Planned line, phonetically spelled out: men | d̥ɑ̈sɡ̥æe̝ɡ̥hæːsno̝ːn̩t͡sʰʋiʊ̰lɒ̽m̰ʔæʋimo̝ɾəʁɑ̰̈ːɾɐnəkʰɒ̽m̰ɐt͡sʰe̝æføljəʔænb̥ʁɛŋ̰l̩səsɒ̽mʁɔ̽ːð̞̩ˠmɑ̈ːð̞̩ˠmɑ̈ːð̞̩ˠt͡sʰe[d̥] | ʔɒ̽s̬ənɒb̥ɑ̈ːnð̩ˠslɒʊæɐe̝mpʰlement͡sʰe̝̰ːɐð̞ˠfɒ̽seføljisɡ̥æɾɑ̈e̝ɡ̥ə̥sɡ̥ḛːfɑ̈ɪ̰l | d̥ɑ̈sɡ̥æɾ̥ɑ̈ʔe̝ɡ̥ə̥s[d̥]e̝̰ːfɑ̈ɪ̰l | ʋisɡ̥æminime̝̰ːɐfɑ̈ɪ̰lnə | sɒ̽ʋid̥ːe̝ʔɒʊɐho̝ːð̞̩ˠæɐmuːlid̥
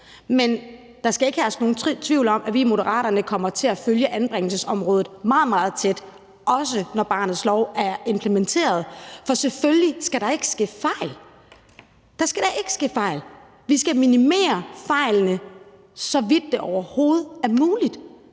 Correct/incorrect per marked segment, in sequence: correct, incorrect: ɡ̥

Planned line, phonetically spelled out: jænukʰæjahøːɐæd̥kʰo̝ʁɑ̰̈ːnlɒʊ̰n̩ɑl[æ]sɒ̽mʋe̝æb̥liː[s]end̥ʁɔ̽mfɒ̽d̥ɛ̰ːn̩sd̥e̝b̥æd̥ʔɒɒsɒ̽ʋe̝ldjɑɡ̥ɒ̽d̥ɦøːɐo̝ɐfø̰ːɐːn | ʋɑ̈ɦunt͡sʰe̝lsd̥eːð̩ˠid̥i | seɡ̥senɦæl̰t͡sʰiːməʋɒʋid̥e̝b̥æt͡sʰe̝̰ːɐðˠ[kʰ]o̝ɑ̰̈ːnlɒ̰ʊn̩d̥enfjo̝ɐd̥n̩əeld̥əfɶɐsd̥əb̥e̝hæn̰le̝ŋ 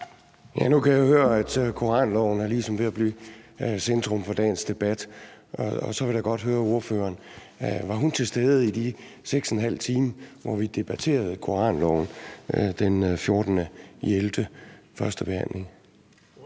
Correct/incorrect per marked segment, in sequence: incorrect: i, correct, correct

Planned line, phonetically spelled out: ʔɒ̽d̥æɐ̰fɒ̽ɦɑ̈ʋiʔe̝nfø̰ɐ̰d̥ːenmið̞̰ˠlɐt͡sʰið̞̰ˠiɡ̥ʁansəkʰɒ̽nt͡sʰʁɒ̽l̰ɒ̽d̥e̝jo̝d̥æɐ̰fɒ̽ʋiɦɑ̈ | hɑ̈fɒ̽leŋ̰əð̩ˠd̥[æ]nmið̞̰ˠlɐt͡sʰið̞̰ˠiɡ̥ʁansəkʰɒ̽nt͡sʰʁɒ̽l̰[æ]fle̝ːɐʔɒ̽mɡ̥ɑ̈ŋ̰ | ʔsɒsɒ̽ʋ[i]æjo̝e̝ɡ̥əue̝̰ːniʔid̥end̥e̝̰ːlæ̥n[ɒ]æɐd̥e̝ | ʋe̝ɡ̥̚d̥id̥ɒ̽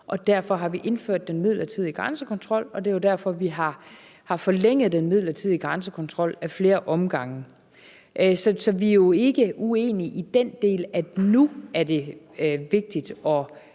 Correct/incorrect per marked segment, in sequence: incorrect: e, correct, correct, incorrect: u

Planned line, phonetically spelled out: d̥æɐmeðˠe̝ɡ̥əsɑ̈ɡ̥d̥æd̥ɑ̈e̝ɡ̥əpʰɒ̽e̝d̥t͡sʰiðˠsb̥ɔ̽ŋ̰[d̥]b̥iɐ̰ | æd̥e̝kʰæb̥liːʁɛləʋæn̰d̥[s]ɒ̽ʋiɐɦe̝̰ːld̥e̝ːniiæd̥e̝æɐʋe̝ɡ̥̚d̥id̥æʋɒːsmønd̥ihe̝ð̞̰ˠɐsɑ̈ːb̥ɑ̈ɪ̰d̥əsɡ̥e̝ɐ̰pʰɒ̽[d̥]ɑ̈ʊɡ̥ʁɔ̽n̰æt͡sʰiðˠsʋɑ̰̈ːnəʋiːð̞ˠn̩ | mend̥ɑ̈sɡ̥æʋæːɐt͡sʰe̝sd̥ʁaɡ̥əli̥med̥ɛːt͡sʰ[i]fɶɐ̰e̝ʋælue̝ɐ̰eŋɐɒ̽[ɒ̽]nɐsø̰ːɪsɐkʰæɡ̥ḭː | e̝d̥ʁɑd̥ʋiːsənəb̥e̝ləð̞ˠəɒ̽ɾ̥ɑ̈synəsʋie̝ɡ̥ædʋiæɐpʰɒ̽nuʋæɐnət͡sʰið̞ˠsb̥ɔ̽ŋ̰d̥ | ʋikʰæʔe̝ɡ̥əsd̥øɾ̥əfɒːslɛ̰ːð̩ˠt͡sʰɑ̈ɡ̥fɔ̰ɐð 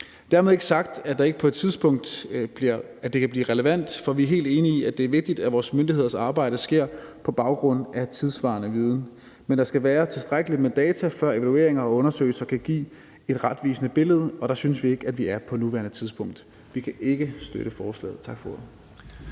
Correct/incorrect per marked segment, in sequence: correct, incorrect: f, incorrect: b̥, incorrect: æ, incorrect: ɔ̽

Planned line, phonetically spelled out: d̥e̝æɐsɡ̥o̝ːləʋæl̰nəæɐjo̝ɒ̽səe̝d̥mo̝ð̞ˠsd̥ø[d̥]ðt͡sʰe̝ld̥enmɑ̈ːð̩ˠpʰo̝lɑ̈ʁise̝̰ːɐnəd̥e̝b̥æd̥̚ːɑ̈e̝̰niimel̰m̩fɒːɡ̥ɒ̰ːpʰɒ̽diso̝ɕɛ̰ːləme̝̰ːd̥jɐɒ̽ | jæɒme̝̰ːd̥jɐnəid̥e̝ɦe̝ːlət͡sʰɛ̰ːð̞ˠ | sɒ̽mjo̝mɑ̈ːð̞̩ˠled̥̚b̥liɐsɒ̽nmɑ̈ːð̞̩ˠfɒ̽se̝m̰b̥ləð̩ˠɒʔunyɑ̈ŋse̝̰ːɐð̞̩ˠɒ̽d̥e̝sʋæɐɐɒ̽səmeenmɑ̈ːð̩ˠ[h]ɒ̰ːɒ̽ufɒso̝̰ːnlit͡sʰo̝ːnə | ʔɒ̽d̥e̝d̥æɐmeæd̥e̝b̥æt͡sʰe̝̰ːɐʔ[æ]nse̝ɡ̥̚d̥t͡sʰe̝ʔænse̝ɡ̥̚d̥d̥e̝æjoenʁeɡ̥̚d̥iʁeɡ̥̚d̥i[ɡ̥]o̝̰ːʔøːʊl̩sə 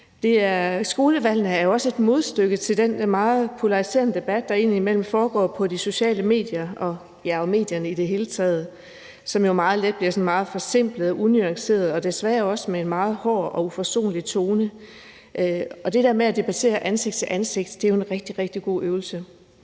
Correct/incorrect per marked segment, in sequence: incorrect: ɡ̥, correct, correct, correct

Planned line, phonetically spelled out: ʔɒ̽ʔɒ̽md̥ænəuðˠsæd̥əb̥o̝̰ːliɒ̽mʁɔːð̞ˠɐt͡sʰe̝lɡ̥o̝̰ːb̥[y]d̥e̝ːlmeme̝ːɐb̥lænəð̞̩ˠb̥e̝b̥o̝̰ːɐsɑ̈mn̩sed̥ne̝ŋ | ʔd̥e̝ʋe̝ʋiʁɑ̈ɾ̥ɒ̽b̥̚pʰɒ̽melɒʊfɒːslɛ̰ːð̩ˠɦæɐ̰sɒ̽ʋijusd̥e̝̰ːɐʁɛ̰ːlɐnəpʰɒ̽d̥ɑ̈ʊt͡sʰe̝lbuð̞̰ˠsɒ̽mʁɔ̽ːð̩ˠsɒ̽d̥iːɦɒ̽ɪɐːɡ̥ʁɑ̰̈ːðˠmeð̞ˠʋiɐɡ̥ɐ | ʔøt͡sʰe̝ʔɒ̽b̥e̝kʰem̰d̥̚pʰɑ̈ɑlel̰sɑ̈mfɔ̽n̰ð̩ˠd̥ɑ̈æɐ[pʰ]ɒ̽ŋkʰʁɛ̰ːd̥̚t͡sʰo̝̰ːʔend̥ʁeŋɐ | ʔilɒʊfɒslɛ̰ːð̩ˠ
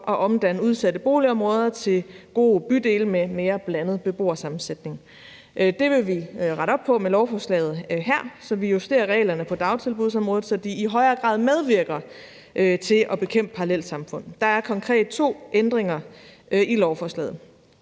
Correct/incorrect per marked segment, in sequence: correct, incorrect: kʰ

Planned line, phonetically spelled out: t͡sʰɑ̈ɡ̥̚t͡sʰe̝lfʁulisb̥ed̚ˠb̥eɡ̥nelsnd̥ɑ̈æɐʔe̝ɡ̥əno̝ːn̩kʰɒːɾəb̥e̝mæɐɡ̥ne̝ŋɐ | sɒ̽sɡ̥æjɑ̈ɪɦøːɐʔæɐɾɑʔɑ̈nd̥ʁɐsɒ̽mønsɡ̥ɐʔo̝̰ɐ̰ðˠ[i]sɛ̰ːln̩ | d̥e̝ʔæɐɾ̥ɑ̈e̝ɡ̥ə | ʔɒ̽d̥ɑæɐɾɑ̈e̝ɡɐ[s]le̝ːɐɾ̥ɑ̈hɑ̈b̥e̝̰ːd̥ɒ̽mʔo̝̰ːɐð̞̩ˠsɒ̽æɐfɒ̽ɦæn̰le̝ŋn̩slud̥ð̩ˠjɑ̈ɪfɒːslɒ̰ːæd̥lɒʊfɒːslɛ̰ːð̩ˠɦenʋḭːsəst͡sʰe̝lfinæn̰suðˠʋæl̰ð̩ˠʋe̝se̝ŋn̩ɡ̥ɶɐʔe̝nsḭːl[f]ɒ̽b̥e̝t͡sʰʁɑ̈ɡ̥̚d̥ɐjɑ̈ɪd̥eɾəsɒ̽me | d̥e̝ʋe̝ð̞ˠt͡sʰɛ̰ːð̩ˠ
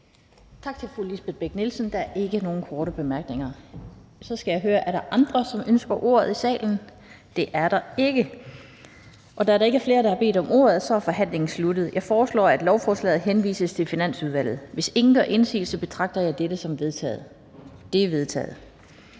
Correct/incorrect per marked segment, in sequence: correct, incorrect: f, incorrect: s

